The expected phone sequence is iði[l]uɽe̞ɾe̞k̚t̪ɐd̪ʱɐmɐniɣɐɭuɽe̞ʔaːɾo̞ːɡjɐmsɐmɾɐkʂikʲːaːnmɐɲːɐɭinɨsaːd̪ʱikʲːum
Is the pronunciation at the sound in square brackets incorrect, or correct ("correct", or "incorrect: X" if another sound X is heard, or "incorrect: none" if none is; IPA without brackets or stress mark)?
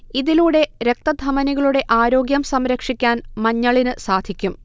correct